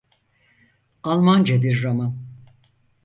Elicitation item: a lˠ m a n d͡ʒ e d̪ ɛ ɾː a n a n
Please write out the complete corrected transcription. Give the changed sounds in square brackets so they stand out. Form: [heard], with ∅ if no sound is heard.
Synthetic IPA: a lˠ m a n d͡ʒ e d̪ [i] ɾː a [m] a n

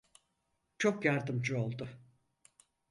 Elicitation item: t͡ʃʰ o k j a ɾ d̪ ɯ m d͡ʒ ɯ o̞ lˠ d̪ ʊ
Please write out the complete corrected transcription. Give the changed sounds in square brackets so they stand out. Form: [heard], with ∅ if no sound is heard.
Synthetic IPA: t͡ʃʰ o k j a ɾ d̪ ɯ m d͡ʒ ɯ o̞ lˠ d̪ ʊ

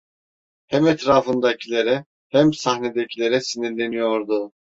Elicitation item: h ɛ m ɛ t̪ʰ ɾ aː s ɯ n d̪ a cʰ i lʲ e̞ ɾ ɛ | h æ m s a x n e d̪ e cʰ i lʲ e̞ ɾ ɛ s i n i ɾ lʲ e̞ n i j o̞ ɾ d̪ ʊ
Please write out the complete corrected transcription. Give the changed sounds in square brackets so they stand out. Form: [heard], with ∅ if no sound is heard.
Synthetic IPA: h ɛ m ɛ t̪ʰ ɾ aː [f] ɯ n d̪ a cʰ i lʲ e̞ ɾ ɛ | h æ m s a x n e d̪ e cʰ i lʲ e̞ ɾ ɛ s i n i ɾ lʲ e̞ n i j o̞ ɾ d̪ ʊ

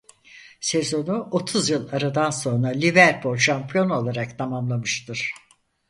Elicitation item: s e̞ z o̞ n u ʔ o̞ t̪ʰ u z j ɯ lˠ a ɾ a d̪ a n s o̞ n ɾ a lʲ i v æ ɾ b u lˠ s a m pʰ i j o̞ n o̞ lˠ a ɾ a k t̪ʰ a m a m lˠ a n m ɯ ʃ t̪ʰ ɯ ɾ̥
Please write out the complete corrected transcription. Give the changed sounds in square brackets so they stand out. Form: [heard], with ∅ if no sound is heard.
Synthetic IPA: s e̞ z o̞ n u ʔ o̞ t̪ʰ u z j ɯ lˠ a ɾ a d̪ a n s o̞ n ɾ a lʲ i v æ ɾ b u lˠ [ʃ] a m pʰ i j o̞ n o̞ lˠ a ɾ a k t̪ʰ a m a m lˠ a [∅] m ɯ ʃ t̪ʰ ɯ ɾ̥

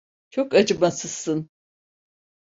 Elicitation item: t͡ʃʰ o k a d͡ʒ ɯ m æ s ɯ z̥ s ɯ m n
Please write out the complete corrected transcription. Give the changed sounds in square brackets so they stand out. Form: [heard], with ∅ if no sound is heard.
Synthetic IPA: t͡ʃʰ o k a d͡ʒ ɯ m [a] s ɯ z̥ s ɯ [∅] n

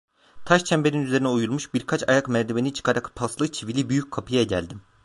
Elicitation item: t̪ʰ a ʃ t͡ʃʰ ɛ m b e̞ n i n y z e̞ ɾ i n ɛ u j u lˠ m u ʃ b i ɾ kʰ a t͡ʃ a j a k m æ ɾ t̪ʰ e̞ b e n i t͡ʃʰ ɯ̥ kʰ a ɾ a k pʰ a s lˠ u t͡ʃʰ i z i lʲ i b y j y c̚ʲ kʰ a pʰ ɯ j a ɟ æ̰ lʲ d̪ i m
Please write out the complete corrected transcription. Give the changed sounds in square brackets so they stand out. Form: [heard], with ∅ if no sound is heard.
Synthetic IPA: t̪ʰ a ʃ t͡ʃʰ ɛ m b e̞ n i n y z e̞ ɾ i n ɛ u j u lˠ m u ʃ b i ɾ kʰ a t͡ʃ a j a k m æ ɾ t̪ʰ e̞ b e n i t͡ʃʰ ɯ̥ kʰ a ɾ a k pʰ a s lˠ [ɯ] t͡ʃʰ i [v] i lʲ i b y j y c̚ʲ kʰ a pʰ ɯ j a ɟ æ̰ lʲ d̪ i m

